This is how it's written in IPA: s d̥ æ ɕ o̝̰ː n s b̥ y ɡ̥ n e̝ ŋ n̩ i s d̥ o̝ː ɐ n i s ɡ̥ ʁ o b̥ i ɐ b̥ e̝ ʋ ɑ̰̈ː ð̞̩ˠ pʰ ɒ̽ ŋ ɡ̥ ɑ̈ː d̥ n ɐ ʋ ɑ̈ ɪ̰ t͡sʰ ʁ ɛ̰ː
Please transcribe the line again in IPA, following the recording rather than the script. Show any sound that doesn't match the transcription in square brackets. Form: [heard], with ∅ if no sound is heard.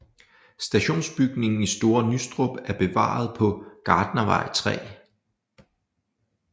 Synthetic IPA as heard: s d̥ æ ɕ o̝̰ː n s b̥ y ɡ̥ n e̝ ŋ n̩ i s d̥ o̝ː ɐ n [y] s [d̥] ʁ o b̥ [æ] ɐ b̥ e̝ ʋ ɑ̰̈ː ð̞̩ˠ pʰ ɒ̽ [∅] ɡ̥ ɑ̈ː d̥ n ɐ ʋ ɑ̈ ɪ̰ t͡sʰ ʁ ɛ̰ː